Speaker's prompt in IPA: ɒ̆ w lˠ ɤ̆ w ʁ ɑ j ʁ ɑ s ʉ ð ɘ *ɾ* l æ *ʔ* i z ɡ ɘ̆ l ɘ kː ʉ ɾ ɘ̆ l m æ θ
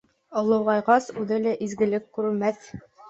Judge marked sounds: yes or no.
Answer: no, yes

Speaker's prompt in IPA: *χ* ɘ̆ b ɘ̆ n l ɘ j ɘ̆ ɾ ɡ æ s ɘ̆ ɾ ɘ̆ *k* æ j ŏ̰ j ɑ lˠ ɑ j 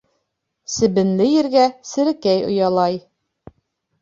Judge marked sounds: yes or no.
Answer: no, yes

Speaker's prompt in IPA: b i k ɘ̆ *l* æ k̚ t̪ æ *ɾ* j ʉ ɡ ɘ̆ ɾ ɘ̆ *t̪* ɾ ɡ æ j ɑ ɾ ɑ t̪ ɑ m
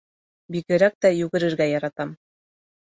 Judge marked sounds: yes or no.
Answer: no, no, no

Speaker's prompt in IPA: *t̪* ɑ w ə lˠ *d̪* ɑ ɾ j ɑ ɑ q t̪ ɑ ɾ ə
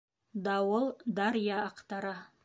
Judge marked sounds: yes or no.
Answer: no, yes

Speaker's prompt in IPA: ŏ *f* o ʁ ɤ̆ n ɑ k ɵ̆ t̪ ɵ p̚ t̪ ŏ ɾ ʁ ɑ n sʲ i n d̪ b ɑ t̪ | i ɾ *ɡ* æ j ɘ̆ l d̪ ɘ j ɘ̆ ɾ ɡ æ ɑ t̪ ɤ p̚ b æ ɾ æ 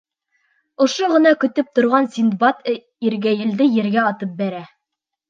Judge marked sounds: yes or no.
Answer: no, yes

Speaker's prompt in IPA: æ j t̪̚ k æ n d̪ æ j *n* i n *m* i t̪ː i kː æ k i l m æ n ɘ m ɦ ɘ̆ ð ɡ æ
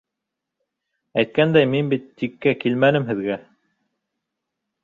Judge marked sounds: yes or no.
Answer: no, no

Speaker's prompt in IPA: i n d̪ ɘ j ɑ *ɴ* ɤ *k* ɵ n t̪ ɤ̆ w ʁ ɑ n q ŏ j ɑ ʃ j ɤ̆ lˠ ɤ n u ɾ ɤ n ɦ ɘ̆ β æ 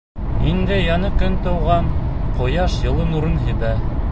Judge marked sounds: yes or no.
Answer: no, yes

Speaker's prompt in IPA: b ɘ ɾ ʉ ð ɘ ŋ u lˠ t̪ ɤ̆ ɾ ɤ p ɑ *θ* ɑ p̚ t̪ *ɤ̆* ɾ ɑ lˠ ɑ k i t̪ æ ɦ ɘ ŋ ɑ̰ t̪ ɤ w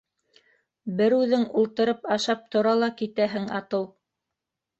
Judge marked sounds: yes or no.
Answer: no, no

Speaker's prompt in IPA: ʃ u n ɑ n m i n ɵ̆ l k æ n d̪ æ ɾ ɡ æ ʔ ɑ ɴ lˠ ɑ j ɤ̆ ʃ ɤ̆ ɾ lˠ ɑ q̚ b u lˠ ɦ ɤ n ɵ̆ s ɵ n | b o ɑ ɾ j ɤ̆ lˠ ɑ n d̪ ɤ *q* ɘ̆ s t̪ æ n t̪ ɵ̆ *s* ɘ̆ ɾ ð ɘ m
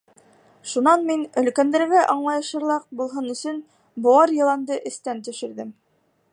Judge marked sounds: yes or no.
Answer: no, no

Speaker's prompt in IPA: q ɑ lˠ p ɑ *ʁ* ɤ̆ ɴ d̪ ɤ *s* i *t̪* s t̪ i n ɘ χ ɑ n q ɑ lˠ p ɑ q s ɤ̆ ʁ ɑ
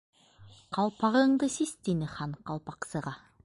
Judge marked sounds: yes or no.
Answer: yes, yes, no

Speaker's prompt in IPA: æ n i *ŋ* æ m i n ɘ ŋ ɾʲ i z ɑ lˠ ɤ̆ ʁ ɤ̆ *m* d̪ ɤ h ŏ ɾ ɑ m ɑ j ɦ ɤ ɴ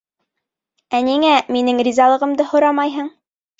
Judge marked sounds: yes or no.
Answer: yes, yes

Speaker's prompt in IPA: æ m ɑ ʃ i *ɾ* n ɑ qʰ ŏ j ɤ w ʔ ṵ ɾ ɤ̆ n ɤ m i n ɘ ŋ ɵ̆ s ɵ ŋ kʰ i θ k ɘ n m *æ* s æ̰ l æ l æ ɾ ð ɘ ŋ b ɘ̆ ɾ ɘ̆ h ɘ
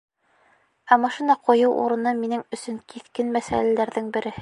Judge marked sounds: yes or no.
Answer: no, yes

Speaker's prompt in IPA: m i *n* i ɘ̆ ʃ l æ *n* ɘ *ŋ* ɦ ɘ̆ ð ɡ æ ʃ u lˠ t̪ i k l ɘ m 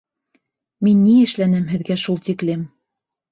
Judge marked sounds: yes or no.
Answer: no, yes, no

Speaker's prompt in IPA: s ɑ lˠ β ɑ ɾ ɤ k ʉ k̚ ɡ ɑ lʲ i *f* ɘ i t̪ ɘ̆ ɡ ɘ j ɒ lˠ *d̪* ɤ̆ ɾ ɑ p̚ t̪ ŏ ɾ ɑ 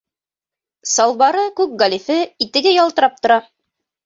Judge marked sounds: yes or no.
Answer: yes, no

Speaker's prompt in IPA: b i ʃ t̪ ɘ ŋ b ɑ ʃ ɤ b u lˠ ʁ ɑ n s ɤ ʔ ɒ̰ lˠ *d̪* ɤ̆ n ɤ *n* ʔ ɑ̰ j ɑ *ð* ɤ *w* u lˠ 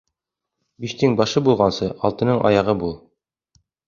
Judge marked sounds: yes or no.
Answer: no, no, no, no

